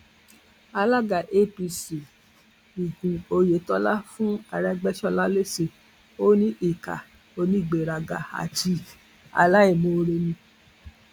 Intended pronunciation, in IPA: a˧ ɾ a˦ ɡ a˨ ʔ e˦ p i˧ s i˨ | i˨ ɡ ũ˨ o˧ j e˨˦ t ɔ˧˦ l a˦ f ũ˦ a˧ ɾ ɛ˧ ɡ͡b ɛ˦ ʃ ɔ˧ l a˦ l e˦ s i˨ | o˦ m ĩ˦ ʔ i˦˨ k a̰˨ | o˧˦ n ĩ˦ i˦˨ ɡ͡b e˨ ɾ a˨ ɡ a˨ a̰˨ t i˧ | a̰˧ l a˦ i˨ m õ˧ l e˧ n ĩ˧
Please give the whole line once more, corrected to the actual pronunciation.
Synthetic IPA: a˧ l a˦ ɡ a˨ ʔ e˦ p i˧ s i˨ | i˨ ɡ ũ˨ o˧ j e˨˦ t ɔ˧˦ l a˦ f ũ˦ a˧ ɾ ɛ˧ ɡ͡b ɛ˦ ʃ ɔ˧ l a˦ l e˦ s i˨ | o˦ n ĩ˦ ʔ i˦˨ k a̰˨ | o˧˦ n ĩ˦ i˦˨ ɡ͡b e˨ ɾ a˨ ɡ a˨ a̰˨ t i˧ | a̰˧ l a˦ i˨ m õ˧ ɾ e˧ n ĩ˧